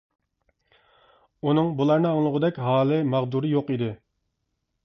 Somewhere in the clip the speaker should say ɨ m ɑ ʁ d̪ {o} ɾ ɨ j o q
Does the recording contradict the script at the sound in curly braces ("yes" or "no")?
yes